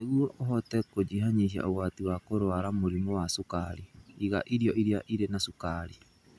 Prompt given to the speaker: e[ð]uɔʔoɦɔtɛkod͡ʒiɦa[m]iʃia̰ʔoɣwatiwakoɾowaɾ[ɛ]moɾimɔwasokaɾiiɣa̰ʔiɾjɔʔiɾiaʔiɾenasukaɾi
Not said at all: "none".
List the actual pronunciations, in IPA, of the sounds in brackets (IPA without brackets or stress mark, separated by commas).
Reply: ɣ, ɲ, a